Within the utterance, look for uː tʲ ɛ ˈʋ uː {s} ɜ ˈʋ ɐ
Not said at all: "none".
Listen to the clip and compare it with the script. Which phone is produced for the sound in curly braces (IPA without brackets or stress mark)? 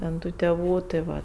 t